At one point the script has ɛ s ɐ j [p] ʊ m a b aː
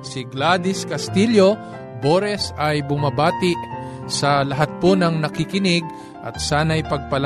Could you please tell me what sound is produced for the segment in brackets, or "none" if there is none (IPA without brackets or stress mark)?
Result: b